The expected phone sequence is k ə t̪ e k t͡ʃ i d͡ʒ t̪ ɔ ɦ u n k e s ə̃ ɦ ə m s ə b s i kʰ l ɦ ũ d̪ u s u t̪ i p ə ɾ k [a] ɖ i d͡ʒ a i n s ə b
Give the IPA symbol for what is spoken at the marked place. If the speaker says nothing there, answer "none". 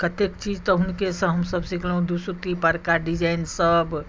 a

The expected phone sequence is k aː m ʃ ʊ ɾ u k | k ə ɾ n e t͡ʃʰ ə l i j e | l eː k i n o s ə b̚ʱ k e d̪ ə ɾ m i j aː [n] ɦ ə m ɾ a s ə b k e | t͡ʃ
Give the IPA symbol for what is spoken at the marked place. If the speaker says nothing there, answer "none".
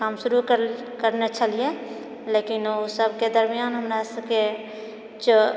n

